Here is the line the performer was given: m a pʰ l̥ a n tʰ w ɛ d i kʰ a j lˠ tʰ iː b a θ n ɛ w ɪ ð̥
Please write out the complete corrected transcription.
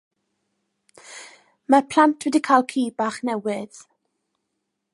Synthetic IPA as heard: m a pʰ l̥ a n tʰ w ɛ d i kʰ a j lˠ kʰ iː b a χ n ɛ w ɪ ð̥